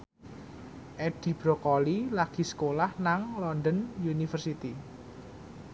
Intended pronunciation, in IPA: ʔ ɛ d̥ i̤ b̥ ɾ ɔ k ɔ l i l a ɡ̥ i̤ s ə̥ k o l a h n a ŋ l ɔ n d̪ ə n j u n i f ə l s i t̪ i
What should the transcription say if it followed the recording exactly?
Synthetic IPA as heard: ʔ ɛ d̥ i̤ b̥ ɾ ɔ k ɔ l i l a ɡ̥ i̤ s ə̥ k o l a h n a ŋ l ɔ n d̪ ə n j u n i f ə r s i t̪ i